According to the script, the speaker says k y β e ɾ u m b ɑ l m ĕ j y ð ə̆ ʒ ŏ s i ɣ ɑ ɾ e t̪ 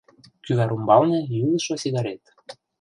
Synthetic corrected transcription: k y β æ ɾ u m b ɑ l n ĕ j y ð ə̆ ʃ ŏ s i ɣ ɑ ɾ e t̪